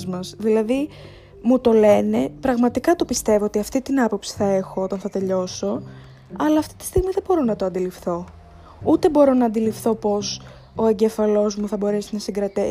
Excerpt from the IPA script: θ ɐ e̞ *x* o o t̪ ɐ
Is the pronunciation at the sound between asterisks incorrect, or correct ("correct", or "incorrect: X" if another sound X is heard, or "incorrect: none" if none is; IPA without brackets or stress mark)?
correct